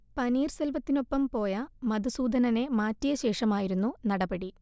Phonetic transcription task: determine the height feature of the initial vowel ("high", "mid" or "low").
low